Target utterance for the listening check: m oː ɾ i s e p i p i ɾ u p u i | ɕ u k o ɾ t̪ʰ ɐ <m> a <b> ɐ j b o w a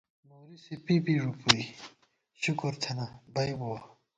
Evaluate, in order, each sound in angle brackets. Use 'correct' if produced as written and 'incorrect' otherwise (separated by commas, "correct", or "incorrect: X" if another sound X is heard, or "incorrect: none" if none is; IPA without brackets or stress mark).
incorrect: n, correct